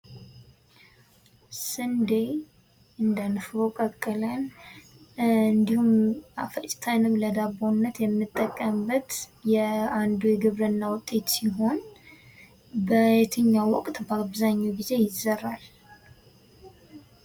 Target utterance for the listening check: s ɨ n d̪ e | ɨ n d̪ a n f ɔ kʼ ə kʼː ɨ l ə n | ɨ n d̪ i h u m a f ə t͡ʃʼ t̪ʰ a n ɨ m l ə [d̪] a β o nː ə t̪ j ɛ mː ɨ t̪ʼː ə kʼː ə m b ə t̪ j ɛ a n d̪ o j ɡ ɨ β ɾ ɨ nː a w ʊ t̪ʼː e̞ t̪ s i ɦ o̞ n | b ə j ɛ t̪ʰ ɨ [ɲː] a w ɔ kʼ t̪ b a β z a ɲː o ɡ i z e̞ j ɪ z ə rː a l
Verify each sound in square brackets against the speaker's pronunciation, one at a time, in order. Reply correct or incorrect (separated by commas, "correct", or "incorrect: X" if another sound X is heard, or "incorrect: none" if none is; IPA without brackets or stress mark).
correct, correct